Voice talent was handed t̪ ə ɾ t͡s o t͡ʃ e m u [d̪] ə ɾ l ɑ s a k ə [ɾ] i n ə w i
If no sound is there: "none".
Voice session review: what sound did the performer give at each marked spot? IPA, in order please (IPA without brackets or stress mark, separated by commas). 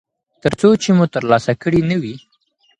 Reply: t̪, ɽ